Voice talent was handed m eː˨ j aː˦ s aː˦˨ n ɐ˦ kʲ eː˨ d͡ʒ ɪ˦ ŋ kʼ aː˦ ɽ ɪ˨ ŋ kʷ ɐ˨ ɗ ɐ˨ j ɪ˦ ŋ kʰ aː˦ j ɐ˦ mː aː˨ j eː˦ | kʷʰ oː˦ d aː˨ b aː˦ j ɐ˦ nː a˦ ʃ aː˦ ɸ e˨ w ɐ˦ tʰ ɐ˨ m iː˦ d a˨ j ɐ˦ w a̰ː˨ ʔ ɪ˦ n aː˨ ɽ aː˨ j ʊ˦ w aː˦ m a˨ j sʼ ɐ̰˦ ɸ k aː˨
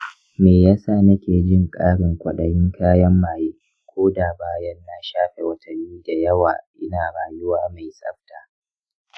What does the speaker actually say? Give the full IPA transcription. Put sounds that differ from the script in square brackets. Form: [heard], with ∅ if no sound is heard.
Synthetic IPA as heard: m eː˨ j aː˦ s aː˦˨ n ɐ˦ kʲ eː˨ d͡ʒ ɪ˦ ŋ kʼ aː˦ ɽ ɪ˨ ŋ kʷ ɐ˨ ɗ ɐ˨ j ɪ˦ ŋ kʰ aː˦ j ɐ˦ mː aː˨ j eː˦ | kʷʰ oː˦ d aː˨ b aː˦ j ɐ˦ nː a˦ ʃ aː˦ ɸ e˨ w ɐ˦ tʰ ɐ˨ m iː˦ d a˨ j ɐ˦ w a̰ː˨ ʔ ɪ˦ n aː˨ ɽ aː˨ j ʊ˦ w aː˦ m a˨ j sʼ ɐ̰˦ ɸ [t] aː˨